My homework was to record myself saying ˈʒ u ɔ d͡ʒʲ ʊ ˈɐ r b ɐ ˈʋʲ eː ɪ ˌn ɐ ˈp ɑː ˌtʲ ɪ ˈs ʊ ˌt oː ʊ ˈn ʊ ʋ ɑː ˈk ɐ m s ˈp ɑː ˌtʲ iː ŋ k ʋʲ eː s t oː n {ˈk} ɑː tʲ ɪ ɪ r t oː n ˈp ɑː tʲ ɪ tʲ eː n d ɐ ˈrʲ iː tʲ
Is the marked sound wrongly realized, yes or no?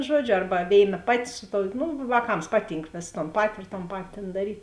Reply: yes